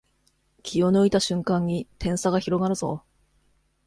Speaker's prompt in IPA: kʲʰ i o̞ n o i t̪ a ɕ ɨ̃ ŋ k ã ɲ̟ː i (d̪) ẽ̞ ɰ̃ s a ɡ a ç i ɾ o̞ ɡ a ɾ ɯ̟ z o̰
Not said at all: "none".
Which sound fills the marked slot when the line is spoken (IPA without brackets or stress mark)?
t̪